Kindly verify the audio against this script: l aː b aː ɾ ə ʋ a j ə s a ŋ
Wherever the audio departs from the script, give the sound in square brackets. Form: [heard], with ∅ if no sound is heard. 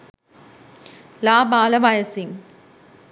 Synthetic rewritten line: l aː b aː [l] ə ʋ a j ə s [i] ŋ